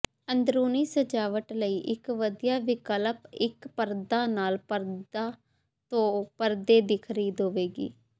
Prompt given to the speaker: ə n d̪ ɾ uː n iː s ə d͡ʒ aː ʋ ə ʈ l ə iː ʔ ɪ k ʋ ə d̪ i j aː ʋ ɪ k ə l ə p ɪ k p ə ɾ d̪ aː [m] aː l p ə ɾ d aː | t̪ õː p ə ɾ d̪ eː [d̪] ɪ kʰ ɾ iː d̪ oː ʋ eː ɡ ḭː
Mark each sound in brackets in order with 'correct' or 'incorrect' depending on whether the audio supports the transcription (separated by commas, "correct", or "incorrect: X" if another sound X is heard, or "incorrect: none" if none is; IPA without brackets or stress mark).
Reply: incorrect: n, correct